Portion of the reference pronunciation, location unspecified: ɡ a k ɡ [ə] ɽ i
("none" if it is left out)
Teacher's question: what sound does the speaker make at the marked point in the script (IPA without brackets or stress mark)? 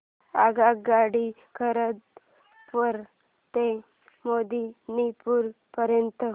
a